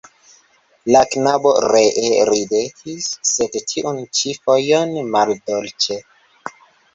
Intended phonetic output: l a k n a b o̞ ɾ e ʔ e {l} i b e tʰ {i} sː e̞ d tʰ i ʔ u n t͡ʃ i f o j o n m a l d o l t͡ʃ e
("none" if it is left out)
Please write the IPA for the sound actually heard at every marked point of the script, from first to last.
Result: ɾ, i

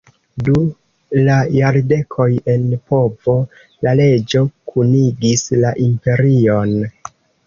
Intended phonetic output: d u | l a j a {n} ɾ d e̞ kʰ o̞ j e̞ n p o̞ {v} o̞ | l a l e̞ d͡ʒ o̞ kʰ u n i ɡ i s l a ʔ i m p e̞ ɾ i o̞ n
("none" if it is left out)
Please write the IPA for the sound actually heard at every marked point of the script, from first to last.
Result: none, v

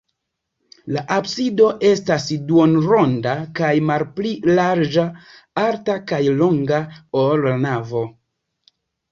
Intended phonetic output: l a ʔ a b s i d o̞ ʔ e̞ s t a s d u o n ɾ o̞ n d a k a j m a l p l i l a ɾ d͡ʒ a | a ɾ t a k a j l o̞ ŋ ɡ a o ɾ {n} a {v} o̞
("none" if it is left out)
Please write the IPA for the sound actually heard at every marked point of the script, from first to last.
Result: n, v

